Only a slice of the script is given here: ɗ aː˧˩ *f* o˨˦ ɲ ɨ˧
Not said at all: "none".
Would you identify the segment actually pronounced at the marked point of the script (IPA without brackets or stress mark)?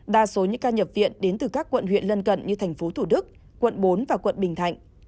s